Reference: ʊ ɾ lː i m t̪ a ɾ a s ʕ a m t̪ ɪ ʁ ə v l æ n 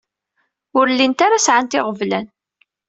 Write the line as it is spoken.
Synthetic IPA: ʊ ɾ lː i n t̪ a ɾ a s ʕ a n t̪ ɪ ʁ ə v l æ n